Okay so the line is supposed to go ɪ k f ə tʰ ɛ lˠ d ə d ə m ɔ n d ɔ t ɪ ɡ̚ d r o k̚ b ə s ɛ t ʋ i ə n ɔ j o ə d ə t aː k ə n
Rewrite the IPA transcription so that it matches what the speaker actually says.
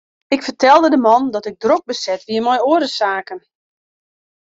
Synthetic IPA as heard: ɪ k f ə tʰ ɛ lˠ d ə d ə m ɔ n d ɔ t ɪ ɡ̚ d r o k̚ b ə s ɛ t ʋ i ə m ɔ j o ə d ə s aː k ə n